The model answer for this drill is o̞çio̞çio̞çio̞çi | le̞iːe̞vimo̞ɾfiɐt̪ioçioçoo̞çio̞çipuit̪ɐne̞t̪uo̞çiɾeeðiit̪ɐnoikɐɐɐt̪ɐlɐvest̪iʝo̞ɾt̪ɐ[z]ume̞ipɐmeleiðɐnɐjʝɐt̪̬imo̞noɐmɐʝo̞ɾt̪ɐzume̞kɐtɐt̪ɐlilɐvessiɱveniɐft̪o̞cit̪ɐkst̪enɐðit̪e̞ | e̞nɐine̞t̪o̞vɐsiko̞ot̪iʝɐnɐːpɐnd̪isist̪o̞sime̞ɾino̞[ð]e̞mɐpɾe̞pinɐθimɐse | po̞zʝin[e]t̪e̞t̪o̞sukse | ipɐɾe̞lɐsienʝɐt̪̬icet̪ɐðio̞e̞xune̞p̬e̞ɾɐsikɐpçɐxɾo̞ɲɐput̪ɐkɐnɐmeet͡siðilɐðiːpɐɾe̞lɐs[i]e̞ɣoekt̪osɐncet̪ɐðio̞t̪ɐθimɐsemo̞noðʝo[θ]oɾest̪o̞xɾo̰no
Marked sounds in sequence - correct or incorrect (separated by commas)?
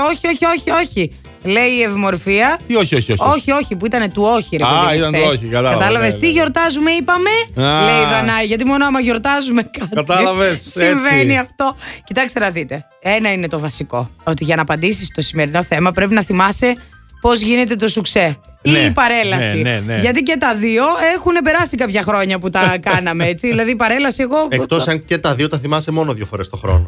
correct, incorrect, correct, correct, incorrect